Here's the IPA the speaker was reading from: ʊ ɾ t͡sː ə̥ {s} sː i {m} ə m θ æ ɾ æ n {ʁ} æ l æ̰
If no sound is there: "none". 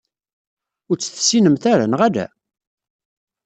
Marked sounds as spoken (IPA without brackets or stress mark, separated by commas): θ, n, ʁ